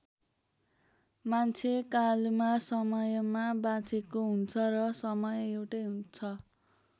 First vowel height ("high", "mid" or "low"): low